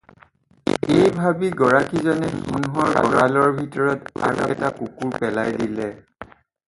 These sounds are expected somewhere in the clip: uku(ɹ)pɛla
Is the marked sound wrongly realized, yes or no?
no